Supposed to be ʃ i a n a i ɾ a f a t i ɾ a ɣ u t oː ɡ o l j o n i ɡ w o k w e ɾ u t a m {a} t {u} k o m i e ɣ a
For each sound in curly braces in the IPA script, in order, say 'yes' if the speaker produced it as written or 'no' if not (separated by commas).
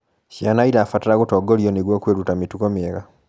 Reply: no, yes